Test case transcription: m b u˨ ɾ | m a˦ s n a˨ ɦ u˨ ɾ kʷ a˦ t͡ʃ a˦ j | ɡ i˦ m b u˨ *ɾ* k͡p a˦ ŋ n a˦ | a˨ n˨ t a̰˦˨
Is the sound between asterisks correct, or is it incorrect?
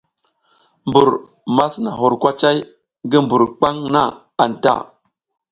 correct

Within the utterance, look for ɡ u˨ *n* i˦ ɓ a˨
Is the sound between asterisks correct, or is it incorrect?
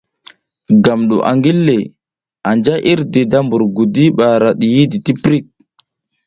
incorrect: d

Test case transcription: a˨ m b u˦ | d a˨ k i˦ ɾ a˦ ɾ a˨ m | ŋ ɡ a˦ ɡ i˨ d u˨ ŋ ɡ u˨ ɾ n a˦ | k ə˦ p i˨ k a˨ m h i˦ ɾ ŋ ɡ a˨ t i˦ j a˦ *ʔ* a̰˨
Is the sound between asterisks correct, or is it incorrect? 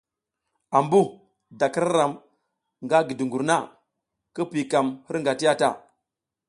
incorrect: t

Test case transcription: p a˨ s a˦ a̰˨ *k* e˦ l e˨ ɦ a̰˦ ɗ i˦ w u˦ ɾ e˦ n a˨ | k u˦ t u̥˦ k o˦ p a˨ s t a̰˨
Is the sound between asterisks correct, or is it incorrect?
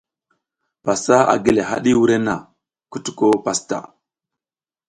incorrect: ɡ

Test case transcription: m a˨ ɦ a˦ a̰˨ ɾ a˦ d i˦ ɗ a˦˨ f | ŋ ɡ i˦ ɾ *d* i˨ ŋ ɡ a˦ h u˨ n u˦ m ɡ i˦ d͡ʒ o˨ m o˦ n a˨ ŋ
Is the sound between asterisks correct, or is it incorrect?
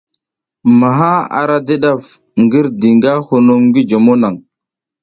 correct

